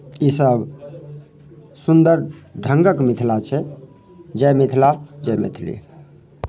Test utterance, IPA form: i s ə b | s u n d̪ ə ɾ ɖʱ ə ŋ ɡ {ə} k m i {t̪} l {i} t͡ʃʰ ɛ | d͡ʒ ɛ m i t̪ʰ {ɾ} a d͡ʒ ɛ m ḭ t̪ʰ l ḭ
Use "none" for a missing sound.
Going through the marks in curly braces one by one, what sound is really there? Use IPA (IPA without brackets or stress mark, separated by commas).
ə, t̪ʰ, a, l